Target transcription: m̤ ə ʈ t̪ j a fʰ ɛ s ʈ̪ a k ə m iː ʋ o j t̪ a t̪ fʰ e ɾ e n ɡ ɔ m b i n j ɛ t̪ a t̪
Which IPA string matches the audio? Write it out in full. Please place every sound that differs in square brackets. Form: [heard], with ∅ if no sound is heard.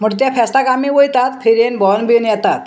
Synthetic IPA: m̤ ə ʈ t̪ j a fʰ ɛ s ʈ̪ a k [a] m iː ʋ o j t̪ a t̪ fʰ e ɾ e n [b] ɔ [n] b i n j ɛ t̪ a t̪